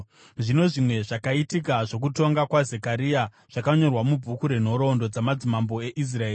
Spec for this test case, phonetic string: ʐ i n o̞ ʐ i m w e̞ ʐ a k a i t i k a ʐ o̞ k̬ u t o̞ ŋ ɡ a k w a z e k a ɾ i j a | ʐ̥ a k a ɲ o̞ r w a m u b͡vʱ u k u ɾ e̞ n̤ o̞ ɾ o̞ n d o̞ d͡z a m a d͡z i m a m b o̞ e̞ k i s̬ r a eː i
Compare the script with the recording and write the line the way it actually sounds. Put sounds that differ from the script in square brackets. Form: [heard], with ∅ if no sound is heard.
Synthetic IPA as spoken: ʐ i n o̞ ʐ i m w e̞ ʐ a k a i t i k a ʐ o̞ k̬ u t o̞ ŋ ɡ a k w a z e k a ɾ i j a | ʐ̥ a k a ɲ o̞ r w a m u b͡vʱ u k u ɾ e̞ n̤ o̞ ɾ o̞ n d o̞ d͡z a m a d͡z i m a m b o̞ e̞ [ʔ] i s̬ r a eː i